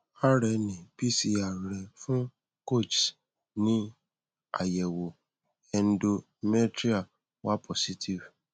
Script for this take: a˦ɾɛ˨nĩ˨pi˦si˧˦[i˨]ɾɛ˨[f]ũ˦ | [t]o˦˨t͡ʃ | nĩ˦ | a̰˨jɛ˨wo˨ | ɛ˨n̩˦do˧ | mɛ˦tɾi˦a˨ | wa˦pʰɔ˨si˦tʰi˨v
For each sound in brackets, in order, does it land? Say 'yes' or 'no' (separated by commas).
no, yes, no